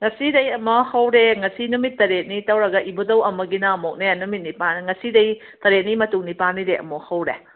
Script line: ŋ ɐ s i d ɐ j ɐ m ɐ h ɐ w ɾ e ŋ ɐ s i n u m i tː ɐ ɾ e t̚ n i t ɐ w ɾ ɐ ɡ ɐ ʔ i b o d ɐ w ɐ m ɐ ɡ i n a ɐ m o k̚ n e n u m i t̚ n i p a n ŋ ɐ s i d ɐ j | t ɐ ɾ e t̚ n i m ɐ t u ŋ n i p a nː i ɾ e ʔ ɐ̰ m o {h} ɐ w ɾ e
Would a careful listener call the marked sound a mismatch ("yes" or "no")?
no